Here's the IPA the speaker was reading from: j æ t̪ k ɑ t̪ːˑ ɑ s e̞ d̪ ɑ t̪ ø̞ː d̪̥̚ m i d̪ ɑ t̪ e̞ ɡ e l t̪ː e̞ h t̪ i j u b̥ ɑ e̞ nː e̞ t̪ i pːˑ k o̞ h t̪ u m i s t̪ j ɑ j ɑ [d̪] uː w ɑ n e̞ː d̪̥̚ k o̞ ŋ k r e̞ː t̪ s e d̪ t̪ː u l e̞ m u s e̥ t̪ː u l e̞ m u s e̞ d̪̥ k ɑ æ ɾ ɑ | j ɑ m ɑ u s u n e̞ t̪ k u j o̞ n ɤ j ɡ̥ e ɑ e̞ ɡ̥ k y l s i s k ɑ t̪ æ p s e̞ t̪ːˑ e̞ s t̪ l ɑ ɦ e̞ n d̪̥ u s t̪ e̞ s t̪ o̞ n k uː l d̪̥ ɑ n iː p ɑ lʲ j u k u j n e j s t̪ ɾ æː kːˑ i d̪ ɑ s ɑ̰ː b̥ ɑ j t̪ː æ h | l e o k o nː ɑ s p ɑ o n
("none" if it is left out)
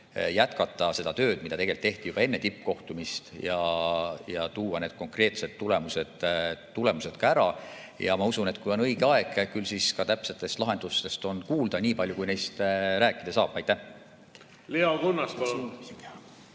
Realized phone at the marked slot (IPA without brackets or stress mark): t̪